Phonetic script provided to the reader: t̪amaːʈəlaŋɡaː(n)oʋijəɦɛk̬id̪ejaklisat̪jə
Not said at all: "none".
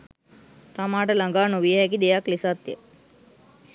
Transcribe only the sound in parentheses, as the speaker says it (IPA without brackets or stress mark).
n